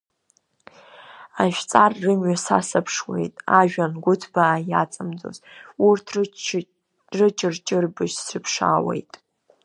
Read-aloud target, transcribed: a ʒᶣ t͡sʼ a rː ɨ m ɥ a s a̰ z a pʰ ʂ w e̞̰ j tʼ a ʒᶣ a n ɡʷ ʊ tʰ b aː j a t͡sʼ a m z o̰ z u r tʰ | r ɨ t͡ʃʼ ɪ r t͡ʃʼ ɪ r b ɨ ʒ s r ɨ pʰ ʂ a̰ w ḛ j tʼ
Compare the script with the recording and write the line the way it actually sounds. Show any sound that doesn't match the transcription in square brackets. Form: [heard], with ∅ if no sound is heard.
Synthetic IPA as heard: a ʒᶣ t͡sʼ a rː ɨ m ɥ a s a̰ [s] a pʰ ʂ w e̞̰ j tʼ a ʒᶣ a n ɡʷ ʊ tʰ b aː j a t͡sʼ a m [d͡z] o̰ z u r tʰ | r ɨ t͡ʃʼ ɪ r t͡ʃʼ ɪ r b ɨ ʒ s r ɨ pʰ ʂ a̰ w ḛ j tʼ